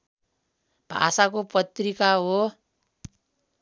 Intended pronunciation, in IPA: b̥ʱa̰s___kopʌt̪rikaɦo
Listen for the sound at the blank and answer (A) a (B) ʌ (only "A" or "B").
A